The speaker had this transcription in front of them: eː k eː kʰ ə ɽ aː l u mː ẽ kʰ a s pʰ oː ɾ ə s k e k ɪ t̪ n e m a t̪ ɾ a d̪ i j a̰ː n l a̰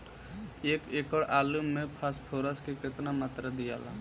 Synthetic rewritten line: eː k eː k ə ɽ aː l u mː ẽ pʰ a s pʰ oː ɾ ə s k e k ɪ t̪ n a m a t̪ ɾ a d̪ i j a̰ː l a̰